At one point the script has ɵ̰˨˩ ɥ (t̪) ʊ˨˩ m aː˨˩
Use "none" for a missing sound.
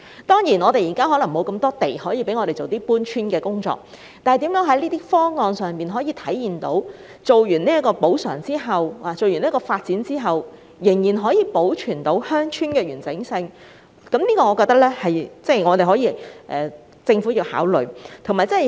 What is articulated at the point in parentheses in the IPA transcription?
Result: t̪ʰ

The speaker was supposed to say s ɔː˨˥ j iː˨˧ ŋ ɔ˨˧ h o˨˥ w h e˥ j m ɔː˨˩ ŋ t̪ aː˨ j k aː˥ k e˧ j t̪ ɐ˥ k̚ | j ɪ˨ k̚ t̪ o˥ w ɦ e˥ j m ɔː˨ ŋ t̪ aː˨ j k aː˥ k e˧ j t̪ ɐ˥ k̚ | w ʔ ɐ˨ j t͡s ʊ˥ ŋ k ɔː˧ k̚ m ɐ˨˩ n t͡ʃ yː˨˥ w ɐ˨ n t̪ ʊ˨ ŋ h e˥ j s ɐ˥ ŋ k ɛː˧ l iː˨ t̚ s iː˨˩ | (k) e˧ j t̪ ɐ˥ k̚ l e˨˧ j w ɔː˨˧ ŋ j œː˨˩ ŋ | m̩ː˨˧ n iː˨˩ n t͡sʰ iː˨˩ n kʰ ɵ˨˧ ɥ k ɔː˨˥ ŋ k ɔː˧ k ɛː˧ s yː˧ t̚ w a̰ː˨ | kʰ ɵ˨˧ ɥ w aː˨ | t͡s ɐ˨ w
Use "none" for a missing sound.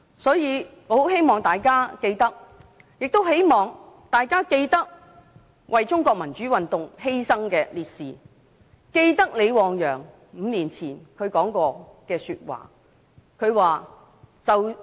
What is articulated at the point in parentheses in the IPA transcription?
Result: k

